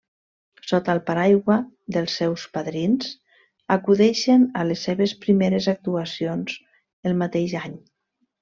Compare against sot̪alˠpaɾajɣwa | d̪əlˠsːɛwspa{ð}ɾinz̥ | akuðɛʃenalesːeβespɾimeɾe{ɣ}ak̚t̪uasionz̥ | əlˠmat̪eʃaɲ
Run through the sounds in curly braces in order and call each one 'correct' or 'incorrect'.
correct, incorrect: z

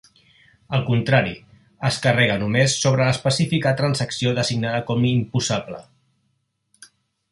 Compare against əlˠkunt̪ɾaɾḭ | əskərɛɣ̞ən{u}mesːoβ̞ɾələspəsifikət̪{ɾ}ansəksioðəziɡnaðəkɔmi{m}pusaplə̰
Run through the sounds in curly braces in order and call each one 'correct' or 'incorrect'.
correct, correct, correct

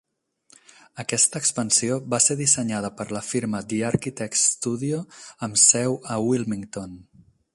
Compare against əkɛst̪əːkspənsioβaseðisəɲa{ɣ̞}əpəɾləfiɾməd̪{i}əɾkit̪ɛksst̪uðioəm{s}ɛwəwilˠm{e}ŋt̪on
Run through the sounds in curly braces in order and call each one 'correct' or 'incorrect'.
incorrect: ð̞, correct, correct, incorrect: i

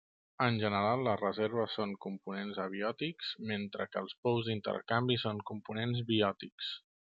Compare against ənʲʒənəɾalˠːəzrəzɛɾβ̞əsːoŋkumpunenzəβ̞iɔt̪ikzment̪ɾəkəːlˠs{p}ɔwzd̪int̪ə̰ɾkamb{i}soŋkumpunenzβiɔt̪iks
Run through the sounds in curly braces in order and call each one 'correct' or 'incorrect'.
correct, correct

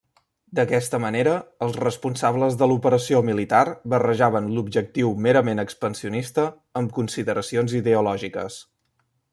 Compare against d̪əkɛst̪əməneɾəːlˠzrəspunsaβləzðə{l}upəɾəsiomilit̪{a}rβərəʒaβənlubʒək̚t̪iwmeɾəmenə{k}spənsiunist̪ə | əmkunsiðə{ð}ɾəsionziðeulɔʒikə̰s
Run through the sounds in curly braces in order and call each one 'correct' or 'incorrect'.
correct, correct, correct, incorrect: none

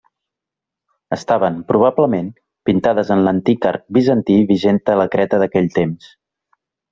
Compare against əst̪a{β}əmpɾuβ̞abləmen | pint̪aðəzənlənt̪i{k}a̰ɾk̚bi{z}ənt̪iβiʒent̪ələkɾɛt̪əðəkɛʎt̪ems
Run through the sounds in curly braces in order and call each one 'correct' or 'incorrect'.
correct, correct, correct

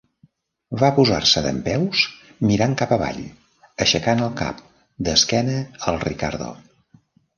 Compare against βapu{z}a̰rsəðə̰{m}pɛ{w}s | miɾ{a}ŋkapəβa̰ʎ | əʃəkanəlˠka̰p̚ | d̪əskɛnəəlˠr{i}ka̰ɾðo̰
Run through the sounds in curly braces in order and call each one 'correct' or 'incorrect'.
correct, correct, correct, correct, correct

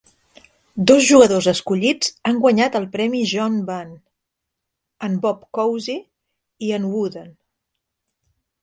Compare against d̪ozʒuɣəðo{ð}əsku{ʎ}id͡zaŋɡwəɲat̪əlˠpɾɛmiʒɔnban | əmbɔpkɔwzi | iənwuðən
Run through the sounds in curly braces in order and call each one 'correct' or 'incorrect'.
incorrect: z, correct

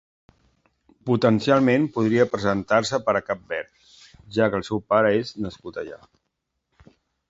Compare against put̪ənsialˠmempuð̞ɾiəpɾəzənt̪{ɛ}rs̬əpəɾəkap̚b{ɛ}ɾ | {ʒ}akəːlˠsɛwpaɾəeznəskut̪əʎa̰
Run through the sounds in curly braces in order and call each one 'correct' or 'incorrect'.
incorrect: a, correct, correct

